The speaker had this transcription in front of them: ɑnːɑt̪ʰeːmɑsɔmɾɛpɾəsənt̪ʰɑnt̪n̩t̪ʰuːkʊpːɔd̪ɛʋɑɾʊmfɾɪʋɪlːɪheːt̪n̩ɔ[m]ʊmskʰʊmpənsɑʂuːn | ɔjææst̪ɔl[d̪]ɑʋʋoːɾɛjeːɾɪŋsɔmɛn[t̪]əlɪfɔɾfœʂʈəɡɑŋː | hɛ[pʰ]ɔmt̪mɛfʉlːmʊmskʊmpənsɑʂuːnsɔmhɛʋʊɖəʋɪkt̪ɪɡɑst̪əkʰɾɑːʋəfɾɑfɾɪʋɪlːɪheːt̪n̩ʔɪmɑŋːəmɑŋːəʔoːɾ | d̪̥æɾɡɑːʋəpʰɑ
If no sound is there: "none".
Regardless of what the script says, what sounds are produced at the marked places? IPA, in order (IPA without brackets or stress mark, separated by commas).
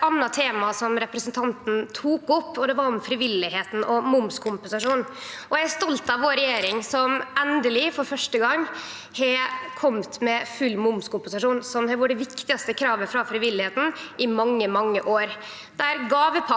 m, t̪, d̪, kʰ